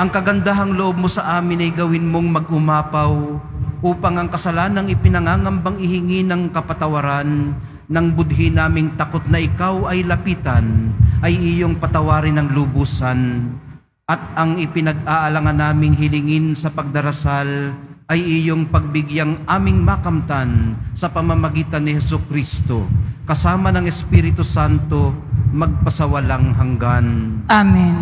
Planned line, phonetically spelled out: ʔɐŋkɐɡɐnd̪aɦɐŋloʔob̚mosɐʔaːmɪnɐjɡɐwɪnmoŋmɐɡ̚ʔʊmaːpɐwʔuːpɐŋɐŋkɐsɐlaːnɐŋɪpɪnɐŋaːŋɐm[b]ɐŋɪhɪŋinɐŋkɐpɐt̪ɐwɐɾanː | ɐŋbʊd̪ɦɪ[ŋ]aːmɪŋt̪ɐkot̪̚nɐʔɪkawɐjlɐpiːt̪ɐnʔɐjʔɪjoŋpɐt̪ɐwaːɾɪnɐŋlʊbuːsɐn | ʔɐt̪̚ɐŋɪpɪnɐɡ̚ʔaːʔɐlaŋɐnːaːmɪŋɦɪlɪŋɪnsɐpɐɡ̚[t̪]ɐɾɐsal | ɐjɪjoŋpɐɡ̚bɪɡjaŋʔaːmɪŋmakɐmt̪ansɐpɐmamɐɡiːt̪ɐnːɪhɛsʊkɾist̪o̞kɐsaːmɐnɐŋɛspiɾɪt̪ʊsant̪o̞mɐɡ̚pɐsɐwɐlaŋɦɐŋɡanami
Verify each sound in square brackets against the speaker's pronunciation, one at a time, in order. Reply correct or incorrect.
correct, incorrect, incorrect

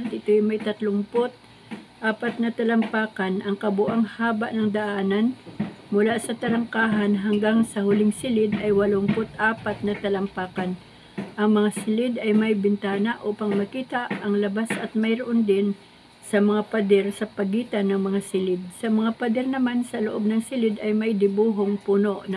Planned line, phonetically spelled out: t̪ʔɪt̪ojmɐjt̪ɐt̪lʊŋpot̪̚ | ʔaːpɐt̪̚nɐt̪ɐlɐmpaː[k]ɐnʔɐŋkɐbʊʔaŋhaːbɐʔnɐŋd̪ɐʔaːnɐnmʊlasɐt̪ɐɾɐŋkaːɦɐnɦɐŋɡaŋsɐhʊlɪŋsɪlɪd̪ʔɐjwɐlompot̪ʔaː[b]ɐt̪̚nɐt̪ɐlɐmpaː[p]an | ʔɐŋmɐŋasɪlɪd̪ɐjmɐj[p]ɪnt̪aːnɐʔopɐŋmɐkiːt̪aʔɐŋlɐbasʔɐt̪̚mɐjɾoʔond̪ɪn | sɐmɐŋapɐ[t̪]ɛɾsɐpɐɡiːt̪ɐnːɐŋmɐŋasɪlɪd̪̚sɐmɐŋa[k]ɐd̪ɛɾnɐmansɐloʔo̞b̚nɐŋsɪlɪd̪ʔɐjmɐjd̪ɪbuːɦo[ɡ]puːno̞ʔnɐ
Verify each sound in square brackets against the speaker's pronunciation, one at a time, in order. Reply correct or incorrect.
correct, incorrect, incorrect, incorrect, incorrect, incorrect, incorrect

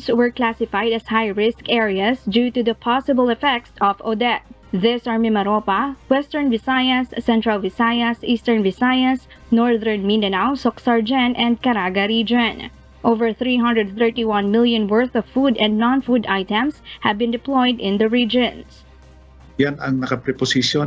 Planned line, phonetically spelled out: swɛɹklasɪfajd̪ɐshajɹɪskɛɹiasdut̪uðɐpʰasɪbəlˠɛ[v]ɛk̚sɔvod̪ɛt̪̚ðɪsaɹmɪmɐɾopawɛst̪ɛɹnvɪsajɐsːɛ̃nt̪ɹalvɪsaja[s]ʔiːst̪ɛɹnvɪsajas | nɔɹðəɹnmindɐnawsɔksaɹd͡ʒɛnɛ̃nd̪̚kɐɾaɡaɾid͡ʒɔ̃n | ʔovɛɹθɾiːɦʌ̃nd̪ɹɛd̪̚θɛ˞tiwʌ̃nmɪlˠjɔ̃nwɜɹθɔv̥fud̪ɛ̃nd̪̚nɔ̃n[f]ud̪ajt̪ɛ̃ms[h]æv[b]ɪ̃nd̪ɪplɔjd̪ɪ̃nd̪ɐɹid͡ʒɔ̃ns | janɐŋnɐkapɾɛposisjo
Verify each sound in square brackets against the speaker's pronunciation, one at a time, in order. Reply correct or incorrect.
incorrect, correct, correct, correct, correct

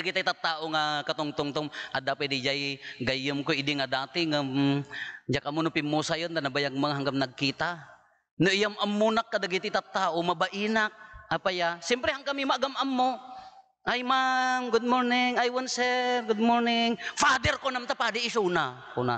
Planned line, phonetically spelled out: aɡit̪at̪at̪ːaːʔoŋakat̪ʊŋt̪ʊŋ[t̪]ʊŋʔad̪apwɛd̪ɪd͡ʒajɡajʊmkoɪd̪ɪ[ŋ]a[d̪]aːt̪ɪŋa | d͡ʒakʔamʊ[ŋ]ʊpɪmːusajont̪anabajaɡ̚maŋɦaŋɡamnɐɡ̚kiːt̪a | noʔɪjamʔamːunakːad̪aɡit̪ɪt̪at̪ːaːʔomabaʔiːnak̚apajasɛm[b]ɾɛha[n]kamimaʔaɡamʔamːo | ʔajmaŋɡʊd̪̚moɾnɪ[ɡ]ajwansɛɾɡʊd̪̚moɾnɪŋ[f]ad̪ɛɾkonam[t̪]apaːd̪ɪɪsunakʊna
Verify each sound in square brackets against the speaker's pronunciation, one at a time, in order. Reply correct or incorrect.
correct, correct, correct, incorrect, incorrect, incorrect, incorrect, correct, correct

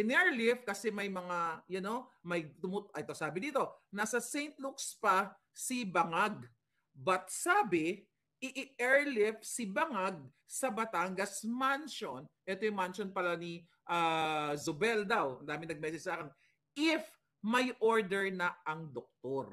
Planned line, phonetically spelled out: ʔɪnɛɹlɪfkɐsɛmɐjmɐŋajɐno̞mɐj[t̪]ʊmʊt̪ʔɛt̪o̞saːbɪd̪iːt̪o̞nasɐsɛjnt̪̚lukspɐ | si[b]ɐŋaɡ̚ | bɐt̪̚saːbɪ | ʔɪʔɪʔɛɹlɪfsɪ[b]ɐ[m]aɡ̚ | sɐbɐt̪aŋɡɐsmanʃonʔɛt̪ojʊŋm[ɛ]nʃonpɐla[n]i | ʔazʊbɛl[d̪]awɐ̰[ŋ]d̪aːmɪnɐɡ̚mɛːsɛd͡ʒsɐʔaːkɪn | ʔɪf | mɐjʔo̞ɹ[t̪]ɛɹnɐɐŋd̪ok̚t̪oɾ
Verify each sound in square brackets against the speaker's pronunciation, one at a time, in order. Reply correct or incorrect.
correct, correct, correct, incorrect, incorrect, correct, correct, incorrect, incorrect

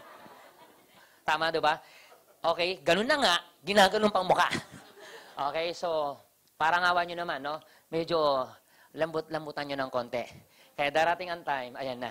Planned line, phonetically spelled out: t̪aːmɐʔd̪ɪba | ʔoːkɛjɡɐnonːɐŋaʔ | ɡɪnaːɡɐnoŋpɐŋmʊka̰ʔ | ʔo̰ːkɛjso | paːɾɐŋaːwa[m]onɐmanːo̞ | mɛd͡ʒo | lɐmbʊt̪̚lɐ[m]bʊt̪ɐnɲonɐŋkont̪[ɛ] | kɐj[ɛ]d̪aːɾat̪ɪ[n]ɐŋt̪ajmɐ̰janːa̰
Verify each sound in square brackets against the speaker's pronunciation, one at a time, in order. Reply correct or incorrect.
incorrect, correct, correct, incorrect, incorrect

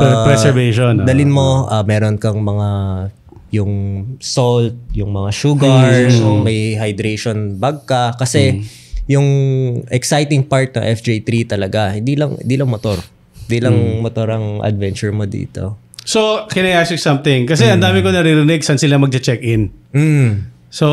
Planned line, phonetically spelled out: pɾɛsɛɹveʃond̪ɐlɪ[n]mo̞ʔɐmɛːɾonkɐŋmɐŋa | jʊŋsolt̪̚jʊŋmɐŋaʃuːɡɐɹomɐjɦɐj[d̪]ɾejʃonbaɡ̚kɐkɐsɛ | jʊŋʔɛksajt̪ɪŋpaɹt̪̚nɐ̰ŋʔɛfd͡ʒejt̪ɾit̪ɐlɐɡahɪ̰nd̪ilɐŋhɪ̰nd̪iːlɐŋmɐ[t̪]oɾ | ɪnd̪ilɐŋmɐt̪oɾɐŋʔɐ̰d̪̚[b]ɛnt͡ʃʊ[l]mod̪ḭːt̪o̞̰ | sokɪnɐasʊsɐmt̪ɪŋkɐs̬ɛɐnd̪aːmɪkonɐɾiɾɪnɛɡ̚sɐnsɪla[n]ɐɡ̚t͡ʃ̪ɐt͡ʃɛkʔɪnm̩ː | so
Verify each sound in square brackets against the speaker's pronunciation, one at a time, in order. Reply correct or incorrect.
correct, correct, correct, incorrect, incorrect, incorrect

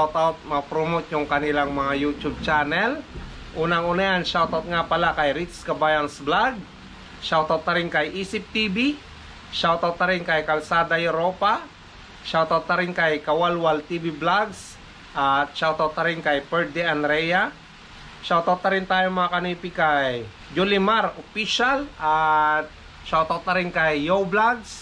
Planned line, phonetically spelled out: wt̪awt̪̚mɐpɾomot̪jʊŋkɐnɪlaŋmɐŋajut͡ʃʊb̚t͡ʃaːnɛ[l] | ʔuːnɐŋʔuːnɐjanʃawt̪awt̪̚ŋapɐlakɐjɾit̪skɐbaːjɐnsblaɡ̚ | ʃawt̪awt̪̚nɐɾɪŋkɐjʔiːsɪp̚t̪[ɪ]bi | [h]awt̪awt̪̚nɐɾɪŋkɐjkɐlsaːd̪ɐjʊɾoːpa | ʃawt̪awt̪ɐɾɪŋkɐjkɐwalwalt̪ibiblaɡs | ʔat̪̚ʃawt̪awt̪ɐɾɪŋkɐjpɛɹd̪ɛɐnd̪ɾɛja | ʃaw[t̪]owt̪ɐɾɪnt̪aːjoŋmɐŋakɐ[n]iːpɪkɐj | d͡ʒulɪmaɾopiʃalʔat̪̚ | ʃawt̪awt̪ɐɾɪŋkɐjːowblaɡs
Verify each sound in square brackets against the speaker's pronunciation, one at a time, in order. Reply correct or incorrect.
correct, incorrect, incorrect, correct, correct

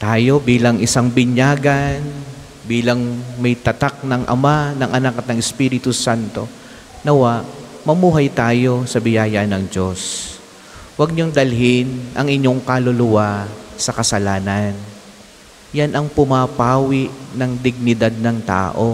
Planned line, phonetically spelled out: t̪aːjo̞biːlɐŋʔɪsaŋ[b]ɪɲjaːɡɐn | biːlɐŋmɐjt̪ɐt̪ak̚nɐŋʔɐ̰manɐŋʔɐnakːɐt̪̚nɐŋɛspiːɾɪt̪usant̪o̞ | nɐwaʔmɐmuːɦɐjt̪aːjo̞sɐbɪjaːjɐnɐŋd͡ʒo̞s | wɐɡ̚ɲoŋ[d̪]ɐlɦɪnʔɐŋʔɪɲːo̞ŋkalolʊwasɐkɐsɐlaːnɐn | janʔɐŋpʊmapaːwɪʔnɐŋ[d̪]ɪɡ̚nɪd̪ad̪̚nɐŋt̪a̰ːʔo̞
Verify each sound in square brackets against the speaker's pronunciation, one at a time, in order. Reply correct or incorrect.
correct, correct, correct

